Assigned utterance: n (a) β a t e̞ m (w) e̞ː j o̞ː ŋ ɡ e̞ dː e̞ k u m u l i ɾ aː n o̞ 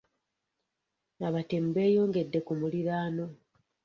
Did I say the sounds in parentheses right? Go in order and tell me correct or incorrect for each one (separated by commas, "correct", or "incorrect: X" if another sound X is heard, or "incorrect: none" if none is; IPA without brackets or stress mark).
correct, incorrect: b